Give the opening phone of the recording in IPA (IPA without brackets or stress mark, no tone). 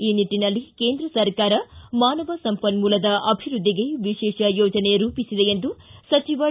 iː